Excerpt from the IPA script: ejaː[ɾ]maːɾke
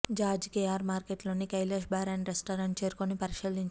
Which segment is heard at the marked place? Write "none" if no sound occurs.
ɾ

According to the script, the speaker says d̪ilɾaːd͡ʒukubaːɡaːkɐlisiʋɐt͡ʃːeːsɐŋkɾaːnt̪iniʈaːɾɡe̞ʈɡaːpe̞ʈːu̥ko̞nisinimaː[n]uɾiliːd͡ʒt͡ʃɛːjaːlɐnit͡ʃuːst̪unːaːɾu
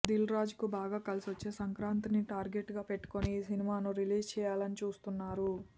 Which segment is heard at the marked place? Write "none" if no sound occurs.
n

